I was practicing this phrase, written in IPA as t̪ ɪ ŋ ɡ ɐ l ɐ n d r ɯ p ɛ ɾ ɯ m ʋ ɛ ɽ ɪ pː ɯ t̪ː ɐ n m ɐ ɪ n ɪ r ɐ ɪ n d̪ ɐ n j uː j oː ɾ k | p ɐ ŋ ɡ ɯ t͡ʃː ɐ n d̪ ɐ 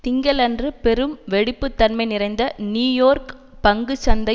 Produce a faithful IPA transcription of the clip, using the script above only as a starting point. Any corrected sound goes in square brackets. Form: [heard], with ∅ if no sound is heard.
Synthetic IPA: t̪ ɪ ŋ ɡ ɐ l ɐ n d r ɯ p ɛ ɾ ɯ m ʋ ɛ ɽ ɪ pː ɯ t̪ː ɐ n m ɐ ɪ n ɪ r ɐ ɪ n d̪ ɐ n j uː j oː ɾ k | p ɐ ŋ ɡ ɯ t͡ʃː ɐ n d̪ ɐ